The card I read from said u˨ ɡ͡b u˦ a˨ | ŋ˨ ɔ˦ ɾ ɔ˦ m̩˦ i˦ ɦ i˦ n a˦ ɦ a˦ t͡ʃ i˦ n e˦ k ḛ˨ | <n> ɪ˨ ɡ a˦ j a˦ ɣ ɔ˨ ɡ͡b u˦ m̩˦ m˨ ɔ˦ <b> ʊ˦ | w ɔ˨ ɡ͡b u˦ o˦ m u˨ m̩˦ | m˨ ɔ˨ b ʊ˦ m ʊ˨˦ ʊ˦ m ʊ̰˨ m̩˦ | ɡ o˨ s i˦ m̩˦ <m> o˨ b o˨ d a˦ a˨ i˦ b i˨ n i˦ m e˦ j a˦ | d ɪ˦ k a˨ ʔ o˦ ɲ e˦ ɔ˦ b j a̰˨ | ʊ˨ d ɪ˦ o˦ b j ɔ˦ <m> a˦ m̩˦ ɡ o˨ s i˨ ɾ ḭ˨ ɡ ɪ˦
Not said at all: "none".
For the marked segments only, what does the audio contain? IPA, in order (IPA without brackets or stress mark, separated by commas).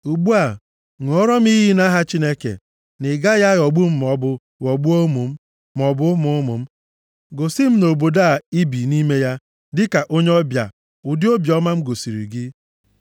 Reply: n, b, n, m